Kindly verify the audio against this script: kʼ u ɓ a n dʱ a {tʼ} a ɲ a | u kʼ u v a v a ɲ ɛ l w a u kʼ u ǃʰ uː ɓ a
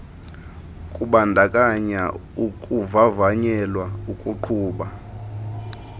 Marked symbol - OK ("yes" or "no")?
no